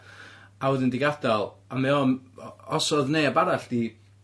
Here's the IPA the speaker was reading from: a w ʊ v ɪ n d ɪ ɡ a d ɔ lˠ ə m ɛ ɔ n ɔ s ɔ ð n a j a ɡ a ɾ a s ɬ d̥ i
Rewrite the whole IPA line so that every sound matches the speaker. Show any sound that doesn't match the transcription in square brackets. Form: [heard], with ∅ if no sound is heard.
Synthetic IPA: a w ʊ [ð] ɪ n d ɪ ɡ a d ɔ lˠ [a] m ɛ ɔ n ɔ s ɔ ð n [e] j a [b] a ɾ a [∅] ɬ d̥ i